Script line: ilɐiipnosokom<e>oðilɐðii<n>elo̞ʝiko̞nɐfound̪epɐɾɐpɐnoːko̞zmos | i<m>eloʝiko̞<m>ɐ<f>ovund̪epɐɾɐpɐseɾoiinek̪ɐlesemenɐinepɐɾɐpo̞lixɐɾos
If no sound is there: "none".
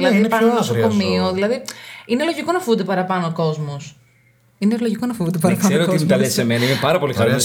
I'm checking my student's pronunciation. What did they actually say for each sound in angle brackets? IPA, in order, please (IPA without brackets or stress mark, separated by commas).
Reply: i, n, n, n, f